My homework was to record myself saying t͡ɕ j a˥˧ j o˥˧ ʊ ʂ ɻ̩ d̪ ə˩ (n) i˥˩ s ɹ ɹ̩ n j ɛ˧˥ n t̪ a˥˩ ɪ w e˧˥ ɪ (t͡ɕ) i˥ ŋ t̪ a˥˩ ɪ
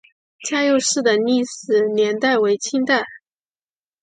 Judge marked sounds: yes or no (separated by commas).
yes, no